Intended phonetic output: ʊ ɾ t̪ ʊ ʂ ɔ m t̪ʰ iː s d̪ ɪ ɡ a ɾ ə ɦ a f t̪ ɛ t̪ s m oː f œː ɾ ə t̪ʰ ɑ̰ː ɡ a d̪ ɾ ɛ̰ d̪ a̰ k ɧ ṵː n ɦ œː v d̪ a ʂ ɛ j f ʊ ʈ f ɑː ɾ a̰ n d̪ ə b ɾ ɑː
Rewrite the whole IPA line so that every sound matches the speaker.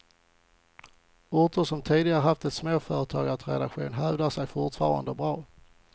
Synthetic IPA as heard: ʊ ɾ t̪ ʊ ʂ ɔ m t̪ʰ iː d̪ ɪ ɡ a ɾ ə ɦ a f t̪ ɛ t̪ s m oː f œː ɾ ə t̪ʰ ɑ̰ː ɡ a t̪ ɾ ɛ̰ d̪ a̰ k ɧ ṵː n ɦ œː v d̪ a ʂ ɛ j f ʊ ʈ f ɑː ɾ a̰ n d̪ ə b ɾ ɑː